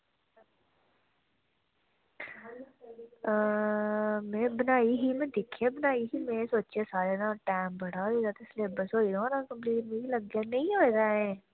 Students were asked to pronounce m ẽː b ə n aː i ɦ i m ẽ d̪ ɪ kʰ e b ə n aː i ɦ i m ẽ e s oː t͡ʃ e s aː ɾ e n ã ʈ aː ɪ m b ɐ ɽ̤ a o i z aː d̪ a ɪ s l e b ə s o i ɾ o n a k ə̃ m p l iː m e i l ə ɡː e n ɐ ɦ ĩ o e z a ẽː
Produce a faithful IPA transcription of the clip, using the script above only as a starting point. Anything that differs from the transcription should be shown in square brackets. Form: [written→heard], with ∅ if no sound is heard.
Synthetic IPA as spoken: m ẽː b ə n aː i ɦ i m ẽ d̪ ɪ kʰ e b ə n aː i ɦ i m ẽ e s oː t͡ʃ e s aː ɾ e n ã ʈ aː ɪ m b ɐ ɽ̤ a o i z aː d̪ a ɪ s l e b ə s o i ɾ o n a k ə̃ m p l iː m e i l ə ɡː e n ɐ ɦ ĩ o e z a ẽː